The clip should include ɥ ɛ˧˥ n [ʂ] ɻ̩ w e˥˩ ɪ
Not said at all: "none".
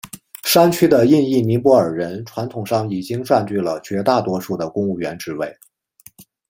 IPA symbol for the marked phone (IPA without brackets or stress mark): ʈ͡ʂ